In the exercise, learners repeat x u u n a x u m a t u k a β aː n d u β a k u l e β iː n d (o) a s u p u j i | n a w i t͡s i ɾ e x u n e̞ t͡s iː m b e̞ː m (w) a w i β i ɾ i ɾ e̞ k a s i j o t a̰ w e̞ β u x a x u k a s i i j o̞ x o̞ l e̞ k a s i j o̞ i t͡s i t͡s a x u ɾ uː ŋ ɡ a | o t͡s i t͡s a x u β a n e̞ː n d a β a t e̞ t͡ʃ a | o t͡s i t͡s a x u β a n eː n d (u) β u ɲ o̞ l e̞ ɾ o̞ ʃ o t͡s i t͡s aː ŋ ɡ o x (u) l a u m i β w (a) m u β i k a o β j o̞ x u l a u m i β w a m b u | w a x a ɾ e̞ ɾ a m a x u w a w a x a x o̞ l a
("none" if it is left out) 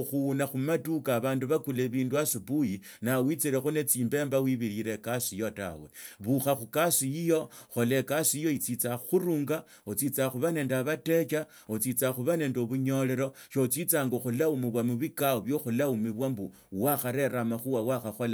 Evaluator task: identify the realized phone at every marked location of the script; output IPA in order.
u, b, o, u, a

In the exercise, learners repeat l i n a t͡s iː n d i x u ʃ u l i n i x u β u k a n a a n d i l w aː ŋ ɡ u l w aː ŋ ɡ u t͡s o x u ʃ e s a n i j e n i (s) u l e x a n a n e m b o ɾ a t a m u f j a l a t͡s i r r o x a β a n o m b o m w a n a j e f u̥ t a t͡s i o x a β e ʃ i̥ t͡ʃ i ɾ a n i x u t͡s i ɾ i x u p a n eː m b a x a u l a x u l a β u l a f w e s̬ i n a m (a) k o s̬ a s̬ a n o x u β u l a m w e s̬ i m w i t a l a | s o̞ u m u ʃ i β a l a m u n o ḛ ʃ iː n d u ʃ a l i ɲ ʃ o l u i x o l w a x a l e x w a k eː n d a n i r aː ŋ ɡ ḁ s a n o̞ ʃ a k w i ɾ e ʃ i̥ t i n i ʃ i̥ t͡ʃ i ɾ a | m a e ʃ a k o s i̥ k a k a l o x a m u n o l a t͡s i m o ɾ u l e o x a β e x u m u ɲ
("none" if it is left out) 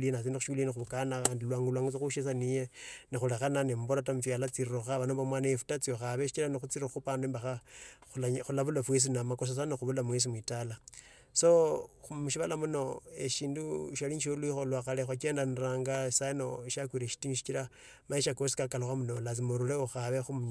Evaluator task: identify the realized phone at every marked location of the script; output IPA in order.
x, a

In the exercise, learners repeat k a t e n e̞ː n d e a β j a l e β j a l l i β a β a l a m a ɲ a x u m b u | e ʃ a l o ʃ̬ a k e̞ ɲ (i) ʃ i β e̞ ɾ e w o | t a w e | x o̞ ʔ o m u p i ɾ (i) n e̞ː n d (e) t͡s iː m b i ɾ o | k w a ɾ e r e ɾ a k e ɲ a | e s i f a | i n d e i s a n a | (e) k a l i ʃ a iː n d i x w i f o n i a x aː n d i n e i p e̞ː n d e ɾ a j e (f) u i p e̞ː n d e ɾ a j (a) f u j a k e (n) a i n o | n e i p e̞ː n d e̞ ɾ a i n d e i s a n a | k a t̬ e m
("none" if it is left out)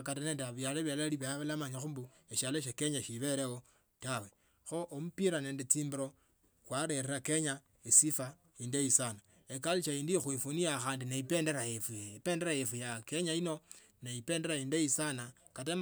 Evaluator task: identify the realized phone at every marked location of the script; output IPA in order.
a, a, e, e, f, e, ɲ

